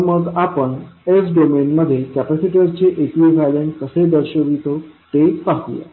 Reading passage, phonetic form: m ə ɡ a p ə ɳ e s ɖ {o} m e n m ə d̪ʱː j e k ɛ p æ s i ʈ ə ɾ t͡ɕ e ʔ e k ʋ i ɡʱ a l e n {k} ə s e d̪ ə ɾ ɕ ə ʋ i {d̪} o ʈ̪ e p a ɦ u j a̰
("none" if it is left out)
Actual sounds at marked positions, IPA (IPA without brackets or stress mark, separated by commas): o, k, t̪